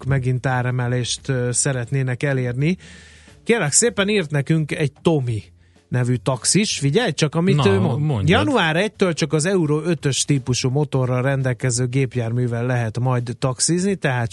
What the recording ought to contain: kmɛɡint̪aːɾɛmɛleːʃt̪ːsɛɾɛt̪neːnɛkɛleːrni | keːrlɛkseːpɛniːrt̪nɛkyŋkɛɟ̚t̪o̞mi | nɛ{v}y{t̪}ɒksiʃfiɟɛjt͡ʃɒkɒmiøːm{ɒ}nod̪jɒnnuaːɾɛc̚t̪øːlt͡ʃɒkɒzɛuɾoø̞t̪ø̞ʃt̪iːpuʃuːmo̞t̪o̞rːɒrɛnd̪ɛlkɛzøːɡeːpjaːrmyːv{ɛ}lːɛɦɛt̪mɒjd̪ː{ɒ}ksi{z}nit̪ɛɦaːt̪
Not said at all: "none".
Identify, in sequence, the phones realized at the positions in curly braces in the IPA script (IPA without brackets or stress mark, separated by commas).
v, t̪, o, ɛ, ɒ, z